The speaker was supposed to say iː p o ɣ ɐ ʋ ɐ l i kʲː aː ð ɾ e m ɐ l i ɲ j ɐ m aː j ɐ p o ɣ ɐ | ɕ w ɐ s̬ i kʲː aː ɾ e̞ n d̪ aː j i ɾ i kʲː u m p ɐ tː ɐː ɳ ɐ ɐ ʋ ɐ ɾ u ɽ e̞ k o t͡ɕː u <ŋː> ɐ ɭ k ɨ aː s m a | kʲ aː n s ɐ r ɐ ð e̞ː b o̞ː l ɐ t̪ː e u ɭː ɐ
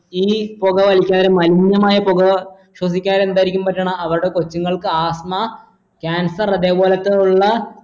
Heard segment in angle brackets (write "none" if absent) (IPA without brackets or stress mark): ŋː